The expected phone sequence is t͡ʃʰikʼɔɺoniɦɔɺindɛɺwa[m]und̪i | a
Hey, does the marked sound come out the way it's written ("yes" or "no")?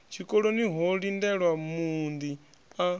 yes